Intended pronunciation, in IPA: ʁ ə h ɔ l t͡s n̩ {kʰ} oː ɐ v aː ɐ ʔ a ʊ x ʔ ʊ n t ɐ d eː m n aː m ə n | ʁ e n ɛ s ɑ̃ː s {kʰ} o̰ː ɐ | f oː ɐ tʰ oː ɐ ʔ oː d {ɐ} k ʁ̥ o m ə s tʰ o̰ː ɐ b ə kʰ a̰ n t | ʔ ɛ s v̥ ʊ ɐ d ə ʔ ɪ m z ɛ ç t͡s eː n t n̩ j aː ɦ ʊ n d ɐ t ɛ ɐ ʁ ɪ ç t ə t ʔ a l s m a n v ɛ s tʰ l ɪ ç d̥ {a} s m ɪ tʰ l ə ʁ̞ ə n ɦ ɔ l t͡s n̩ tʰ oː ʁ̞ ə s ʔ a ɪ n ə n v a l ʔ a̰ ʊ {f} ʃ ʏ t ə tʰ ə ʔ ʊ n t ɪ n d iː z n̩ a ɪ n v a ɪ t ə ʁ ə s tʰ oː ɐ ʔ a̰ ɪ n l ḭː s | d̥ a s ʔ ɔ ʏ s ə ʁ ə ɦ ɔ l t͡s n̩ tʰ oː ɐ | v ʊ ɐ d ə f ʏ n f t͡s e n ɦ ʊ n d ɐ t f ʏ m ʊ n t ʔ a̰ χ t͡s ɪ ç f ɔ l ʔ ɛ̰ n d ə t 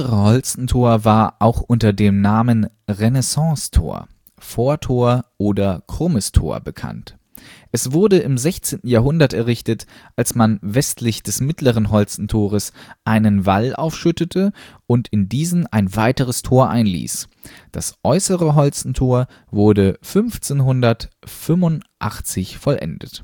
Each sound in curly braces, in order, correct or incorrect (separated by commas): incorrect, incorrect, correct, incorrect, correct